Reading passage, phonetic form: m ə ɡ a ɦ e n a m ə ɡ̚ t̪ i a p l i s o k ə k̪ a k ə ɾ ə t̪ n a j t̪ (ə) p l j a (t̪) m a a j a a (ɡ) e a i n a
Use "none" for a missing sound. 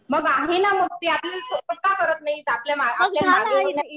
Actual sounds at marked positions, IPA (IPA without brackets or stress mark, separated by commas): a, none, ɡ